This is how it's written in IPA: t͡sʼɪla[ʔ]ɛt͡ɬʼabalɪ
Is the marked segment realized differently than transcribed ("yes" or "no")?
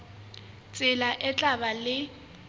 no